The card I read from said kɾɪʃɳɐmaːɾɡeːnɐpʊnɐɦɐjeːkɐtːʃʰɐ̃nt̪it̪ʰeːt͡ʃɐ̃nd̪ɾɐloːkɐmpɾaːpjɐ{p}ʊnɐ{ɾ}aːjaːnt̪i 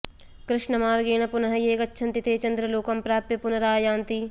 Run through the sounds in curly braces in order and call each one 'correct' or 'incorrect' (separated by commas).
correct, correct